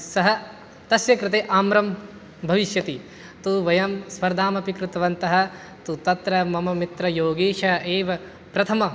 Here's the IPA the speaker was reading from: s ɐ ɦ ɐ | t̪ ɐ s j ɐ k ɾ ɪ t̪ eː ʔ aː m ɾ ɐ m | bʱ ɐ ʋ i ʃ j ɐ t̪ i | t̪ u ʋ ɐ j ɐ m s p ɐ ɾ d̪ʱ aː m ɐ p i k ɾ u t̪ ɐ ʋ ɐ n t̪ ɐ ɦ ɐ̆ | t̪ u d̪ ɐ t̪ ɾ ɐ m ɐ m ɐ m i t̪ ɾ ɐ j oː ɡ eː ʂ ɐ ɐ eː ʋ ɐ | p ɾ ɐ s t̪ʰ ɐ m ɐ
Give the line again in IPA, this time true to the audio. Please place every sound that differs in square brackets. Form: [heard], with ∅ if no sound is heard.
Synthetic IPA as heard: s ɐ ɦ ɐ | t̪ ɐ s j ɐ k ɾ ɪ t̪ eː ʔ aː m ɾ ɐ m | bʱ ɐ ʋ i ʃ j ɐ t̪ i | t̪ u ʋ ɐ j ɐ m s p ɐ ɾ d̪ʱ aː m ɐ p i k ɾ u t̪ ɐ ʋ ɐ n t̪ ɐ ɦ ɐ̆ | t̪ u [t̪] ɐ t̪ ɾ ɐ m ɐ m ɐ m i t̪ ɾ ɐ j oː ɡ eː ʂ ɐ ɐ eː ʋ ɐ | p ɾ ɐ [∅] t̪ʰ ɐ m ɐ

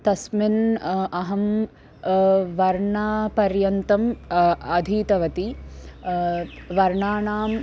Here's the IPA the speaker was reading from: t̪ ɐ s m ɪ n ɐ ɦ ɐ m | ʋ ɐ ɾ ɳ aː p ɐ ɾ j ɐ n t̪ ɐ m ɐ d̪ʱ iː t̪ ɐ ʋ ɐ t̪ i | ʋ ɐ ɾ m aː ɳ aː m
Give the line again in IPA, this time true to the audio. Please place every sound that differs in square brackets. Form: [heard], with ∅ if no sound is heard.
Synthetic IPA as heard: t̪ ɐ s m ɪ n ɐ ɦ ɐ m | ʋ ɐ ɾ ɳ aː p ɐ ɾ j ɐ n t̪ ɐ m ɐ d̪ʱ iː t̪ ɐ ʋ ɐ t̪ i | ʋ ɐ ɾ [ɳ] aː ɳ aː m

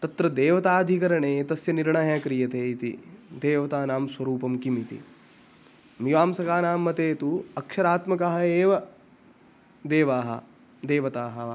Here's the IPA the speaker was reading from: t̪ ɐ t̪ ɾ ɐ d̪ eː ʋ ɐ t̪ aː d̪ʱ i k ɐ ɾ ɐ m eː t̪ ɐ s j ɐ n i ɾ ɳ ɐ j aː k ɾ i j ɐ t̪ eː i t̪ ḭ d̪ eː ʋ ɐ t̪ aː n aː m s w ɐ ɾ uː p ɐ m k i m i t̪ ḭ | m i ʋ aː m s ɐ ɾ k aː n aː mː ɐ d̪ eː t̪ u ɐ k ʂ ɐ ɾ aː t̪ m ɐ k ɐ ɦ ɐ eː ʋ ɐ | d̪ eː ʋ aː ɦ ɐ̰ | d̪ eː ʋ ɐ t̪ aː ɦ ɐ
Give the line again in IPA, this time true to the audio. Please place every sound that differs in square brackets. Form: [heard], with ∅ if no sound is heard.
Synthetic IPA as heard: t̪ ɐ t̪ ɾ ɐ d̪ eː ʋ ɐ t̪ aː d̪ʱ i k ɐ ɾ ɐ [ɳ] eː t̪ ɐ s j ɐ n i ɾ ɳ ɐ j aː k ɾ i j ɐ t̪ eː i t̪ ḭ d̪ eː ʋ ɐ t̪ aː n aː m s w ɐ ɾ uː p ɐ m k i m i t̪ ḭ | m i ʋ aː m s ɐ [∅] k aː n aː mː ɐ [t̪] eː t̪ u ɐ k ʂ ɐ ɾ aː t̪ m ɐ k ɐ ɦ ɐ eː ʋ ɐ | d̪ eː ʋ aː ɦ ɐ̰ | d̪ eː ʋ ɐ t̪ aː ɦ ɐ

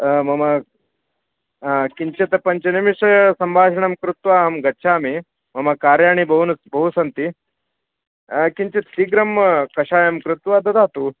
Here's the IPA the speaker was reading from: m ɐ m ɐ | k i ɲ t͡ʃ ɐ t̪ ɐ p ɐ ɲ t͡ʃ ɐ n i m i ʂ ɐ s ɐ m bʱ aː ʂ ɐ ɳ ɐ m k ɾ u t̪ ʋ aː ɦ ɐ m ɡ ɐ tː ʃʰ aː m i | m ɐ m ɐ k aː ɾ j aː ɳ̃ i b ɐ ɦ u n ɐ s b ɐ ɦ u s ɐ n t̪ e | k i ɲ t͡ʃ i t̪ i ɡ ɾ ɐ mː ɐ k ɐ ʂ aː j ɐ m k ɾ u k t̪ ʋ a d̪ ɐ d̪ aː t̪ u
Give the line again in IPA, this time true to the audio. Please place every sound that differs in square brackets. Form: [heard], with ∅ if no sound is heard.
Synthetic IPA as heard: m ɐ m ɐ | k i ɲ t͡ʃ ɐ t̪ ɐ p ɐ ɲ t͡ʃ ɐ n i m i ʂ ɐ s ɐ m bʱ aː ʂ ɐ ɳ ɐ m k ɾ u t̪ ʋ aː ɦ ɐ m ɡ ɐ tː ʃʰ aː m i | m ɐ m ɐ k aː ɾ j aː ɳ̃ i b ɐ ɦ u n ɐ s b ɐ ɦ u s ɐ n t̪ [i] | k i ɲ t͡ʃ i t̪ i ɡ ɾ ɐ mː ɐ k ɐ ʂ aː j ɐ m k ɾ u [∅] t̪ ʋ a d̪ ɐ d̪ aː t̪ u

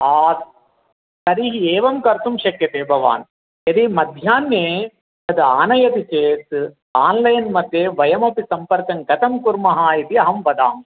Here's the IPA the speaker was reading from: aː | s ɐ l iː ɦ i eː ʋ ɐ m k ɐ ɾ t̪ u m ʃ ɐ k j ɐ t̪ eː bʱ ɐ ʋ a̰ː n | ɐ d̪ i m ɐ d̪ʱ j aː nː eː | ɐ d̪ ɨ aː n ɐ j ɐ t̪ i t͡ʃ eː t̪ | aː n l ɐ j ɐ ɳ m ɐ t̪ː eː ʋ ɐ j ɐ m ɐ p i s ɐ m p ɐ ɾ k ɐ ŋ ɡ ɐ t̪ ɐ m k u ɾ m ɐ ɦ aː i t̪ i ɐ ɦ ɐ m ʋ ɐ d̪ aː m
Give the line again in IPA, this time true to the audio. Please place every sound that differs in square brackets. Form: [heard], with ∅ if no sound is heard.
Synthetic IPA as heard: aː | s ɐ [ɾ] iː ɦ i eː ʋ ɐ m k ɐ ɾ t̪ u m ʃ ɐ k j ɐ t̪ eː bʱ ɐ ʋ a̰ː n | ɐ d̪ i m ɐ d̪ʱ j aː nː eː | ɐ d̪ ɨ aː n ɐ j ɐ t̪ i t͡ʃ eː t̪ | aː n l ɐ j ɐ [n] m ɐ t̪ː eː ʋ ɐ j ɐ m ɐ p i s ɐ m p ɐ ɾ k ɐ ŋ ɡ ɐ t̪ ɐ m k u ɾ m ɐ ɦ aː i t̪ i ɐ ɦ ɐ m ʋ ɐ d̪ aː m

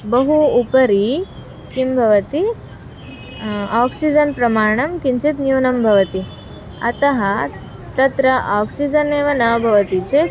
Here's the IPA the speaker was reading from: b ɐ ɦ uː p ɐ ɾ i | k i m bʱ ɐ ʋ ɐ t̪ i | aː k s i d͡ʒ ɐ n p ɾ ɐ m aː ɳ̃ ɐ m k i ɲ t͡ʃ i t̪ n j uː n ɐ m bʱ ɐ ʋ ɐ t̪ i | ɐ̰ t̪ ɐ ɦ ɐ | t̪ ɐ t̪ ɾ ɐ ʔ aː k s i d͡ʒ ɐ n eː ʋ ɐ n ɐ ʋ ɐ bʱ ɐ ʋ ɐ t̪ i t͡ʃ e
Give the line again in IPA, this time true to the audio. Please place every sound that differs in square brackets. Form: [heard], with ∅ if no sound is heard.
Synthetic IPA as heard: b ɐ ɦ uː p ɐ ɾ i | k i m bʱ ɐ ʋ ɐ t̪ i | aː k s i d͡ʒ ɐ n p ɾ ɐ m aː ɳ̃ ɐ m k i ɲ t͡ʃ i t̪ n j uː n ɐ m bʱ ɐ ʋ ɐ t̪ i | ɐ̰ t̪ ɐ ɦ ɐ | t̪ ɐ t̪ ɾ ɐ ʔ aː k s i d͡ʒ ɐ n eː ʋ ɐ n ɐ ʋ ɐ bʱ ɐ ʋ ɐ t̪ i t͡ʃ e

